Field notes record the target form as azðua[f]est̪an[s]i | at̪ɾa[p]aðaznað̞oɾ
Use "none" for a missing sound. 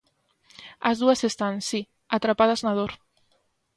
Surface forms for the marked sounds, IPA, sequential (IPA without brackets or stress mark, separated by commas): s, s, p